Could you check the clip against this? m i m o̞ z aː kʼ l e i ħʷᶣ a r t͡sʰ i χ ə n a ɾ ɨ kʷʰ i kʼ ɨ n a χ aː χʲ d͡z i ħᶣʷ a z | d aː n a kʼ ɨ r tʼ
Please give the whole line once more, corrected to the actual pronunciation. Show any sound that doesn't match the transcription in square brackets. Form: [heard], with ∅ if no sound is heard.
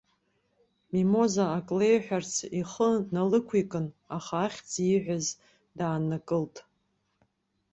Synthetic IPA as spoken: m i m o̞ z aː kʼ l e [j] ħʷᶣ a r t͡sʰ i χ ə n a [l] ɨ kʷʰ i kʼ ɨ n a χ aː χʲ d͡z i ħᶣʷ a z | d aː n a kʼ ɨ [l] tʼ